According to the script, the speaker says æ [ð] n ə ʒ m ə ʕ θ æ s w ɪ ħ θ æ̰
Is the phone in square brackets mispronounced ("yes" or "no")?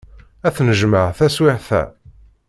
yes